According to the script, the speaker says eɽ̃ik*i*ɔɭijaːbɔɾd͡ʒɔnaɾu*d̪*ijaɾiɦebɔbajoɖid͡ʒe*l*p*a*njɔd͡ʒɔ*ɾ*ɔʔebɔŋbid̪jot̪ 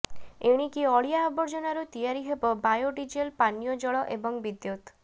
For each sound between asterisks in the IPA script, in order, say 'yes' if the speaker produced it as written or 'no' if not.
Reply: yes, no, yes, yes, no

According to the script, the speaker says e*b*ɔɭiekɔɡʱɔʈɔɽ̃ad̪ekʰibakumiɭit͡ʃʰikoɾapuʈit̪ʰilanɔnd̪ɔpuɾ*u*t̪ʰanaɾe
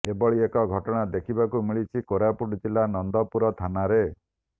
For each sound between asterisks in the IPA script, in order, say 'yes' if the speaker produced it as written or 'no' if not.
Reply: yes, no

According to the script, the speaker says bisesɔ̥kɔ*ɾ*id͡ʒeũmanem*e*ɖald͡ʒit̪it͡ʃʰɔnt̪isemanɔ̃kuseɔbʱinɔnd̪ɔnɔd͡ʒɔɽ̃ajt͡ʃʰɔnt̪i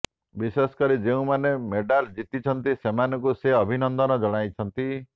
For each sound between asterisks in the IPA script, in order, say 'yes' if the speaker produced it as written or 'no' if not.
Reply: yes, yes

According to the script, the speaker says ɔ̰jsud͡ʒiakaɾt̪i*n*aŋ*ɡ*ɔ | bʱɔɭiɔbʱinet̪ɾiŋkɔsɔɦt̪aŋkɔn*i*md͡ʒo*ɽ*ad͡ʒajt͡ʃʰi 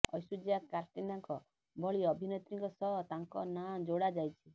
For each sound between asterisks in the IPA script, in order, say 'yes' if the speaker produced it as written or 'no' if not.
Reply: yes, no, no, yes

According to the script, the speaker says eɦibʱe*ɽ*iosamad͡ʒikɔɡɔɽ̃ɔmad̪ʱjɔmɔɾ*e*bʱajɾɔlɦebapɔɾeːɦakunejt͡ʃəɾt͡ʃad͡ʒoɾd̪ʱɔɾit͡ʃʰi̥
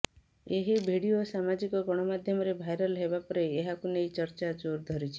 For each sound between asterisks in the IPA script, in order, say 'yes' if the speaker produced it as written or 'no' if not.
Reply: yes, yes

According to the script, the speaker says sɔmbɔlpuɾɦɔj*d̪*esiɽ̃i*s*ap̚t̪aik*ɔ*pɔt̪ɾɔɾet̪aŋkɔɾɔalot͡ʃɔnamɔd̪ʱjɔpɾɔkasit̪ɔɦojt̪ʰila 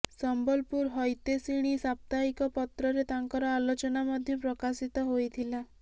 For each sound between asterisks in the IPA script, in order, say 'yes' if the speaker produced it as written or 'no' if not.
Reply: no, yes, yes

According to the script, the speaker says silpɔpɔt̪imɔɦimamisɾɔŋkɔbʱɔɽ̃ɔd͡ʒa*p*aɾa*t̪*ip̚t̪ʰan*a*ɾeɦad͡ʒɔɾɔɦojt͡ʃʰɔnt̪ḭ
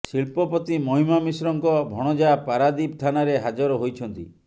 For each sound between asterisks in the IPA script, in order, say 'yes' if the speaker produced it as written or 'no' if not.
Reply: yes, no, yes

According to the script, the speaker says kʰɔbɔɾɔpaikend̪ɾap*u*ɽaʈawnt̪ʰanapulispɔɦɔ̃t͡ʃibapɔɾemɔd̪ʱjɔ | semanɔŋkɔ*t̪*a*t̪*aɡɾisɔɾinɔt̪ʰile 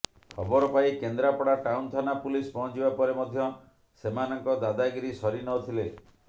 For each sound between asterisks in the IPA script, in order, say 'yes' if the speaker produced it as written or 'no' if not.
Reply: no, no, no

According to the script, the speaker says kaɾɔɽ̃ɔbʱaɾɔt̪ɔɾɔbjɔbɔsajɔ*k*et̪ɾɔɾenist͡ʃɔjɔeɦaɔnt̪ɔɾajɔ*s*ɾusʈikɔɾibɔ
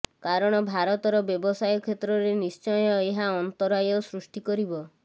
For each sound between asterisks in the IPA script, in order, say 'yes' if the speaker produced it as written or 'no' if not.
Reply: no, yes

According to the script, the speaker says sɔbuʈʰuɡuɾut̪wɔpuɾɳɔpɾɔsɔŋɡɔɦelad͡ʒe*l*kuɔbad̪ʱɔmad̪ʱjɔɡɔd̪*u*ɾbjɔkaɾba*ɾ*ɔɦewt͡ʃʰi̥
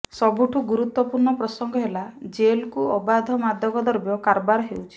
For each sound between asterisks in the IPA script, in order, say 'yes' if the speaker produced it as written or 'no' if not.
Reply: yes, no, yes

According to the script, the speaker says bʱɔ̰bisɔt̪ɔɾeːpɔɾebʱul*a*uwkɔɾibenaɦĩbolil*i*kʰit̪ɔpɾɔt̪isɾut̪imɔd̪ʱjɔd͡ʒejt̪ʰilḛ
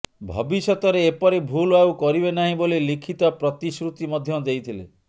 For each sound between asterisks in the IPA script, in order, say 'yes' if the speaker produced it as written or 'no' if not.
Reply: yes, yes

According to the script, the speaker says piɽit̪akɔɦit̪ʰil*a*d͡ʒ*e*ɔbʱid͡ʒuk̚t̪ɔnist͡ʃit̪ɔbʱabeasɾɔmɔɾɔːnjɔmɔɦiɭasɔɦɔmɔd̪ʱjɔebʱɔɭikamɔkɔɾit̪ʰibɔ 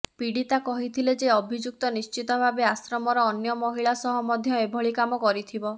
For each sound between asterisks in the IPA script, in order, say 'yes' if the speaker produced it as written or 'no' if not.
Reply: no, yes

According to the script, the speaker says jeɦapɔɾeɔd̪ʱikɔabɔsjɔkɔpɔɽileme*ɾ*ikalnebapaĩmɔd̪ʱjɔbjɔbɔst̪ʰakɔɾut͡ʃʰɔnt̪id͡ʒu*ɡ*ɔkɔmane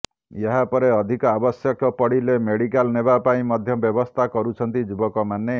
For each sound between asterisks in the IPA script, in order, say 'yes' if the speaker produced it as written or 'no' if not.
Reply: no, no

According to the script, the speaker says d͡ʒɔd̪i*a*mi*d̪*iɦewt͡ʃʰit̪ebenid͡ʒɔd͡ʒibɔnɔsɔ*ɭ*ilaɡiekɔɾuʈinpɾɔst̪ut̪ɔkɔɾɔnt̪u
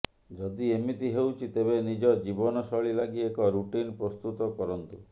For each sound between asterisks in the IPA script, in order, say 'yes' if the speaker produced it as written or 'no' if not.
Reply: no, no, yes

